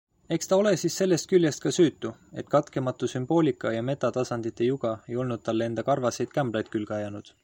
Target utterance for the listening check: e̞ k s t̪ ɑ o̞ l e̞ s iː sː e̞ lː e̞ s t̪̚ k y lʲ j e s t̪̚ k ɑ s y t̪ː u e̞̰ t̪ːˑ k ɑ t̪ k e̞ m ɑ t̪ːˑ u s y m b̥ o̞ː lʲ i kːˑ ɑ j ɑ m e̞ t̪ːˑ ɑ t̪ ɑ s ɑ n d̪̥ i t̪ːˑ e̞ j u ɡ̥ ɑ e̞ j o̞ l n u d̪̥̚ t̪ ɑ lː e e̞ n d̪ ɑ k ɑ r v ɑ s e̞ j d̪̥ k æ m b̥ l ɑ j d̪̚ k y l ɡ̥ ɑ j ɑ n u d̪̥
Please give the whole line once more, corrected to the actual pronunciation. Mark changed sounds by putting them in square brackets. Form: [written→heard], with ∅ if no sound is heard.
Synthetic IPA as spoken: e̞ k s t̪ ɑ o̞ l e̞ s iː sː e̞ lː e̞ s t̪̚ k y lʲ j e s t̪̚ k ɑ s [y→yː] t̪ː u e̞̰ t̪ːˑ k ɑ t̪ k e̞ m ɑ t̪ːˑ u s y m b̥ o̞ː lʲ i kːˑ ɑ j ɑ m e̞ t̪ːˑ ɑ t̪ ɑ s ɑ n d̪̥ i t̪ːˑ e̞ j u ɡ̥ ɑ e̞ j o̞ l n u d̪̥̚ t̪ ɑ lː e e̞ n d̪ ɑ k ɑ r v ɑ s e̞ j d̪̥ k æ m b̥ l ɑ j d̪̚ k y l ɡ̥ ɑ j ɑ n u d̪̥